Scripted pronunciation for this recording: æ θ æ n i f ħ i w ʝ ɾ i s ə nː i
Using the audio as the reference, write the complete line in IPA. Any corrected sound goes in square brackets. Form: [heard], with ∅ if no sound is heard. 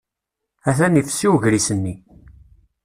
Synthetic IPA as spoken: æ θ æ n i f [s] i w ʝ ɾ i s ə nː i